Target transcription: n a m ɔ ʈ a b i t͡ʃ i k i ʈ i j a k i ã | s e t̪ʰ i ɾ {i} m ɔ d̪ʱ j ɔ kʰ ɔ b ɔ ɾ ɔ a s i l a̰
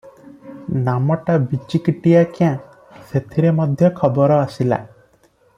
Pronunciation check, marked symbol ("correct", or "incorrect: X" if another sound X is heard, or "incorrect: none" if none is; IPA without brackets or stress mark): incorrect: e